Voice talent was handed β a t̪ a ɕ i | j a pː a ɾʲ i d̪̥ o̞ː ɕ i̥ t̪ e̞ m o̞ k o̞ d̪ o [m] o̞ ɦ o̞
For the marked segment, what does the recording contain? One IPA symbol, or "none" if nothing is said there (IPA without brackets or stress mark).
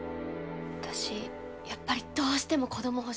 m